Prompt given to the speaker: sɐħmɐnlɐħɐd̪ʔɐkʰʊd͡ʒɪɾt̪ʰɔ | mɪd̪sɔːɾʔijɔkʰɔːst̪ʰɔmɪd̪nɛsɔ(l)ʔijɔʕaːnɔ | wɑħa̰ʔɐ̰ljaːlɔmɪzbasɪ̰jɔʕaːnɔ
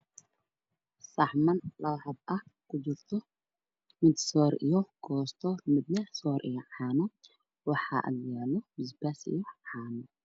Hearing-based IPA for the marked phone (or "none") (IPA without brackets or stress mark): ɾ